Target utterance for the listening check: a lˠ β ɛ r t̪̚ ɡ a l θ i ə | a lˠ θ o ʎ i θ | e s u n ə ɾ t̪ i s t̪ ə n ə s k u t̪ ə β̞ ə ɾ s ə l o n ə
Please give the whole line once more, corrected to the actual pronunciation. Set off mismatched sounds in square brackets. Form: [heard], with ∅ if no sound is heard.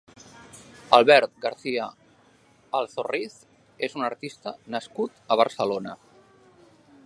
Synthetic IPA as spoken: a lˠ β ɛ [ɾ] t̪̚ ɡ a [ɾ] θ i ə | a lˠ θ o [r] i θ | e [z] u n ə ɾ t̪ i s t̪ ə n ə s k u t̪ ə β̞ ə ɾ s ə l o n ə